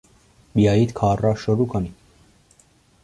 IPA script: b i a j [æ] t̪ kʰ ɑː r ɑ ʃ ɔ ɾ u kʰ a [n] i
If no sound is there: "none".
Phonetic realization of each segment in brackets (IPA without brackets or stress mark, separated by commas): i, n